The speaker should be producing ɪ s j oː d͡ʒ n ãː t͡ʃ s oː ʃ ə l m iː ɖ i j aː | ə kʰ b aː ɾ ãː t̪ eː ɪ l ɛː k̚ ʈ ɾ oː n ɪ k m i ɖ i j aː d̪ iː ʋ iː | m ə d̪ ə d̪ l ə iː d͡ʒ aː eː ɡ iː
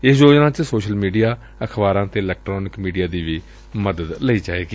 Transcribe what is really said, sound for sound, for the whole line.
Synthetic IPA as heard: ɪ s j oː d͡ʒ n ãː t͡ʃ s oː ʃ ə l m iː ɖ i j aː | ə kʰ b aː ɾ ãː t̪ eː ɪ l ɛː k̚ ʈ ɾ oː n ɪ k m iː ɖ i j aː d̪ iː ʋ iː | m ə d̪ ə d̪ l ə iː d͡ʒ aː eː ɡ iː